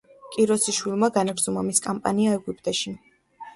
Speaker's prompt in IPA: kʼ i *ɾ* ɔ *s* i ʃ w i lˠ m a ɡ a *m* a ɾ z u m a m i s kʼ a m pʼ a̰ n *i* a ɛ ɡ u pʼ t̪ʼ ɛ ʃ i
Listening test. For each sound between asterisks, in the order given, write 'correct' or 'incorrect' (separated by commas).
correct, correct, incorrect, correct